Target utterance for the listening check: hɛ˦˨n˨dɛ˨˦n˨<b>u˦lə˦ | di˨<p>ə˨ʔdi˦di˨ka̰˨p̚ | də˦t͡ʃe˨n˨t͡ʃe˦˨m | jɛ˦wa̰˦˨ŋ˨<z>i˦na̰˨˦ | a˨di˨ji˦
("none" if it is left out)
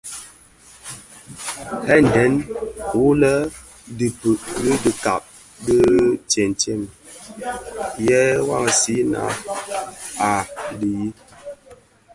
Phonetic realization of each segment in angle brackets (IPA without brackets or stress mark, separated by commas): w, p, s